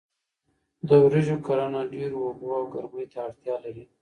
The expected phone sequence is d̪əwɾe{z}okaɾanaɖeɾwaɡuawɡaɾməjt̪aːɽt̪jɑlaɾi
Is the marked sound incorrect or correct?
incorrect: ʒ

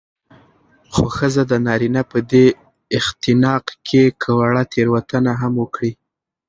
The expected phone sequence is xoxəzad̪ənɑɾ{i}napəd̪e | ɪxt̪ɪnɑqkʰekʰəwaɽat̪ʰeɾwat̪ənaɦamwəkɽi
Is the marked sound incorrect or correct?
correct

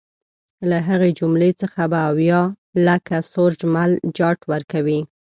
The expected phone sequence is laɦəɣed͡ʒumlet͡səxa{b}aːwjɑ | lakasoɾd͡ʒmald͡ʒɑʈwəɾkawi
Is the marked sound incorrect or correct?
correct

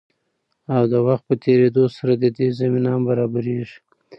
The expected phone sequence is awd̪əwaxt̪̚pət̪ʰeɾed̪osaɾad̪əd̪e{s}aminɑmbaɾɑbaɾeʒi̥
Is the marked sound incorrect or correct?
incorrect: z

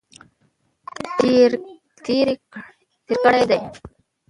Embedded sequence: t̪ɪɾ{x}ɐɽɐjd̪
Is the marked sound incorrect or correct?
incorrect: k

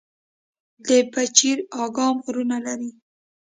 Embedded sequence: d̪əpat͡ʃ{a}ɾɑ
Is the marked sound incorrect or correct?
incorrect: i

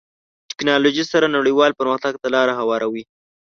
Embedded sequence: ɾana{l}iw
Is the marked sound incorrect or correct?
incorrect: ɽ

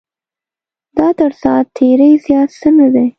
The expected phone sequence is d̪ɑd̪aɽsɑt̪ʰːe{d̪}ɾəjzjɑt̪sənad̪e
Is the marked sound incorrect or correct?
incorrect: none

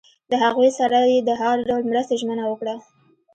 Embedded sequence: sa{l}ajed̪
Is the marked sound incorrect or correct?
incorrect: ɾ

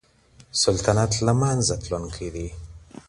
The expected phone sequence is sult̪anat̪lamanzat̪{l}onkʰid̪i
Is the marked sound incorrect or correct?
correct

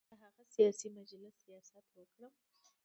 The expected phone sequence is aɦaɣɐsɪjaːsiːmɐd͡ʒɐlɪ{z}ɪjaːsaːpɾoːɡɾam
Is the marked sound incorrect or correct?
incorrect: s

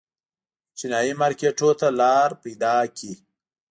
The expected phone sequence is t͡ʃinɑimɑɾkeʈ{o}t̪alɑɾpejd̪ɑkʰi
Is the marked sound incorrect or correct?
correct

